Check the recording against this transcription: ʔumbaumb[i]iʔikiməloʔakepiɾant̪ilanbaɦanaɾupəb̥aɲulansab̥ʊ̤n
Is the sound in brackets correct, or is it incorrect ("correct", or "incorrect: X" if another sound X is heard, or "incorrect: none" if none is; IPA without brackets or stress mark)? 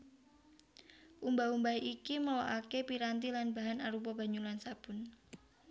incorrect: a